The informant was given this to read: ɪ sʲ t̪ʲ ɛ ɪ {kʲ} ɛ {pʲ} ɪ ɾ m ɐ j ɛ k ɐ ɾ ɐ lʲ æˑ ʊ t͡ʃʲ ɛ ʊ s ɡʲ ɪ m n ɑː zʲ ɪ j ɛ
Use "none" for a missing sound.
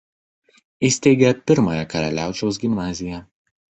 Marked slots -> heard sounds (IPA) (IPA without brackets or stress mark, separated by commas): ɡʲ, pʲ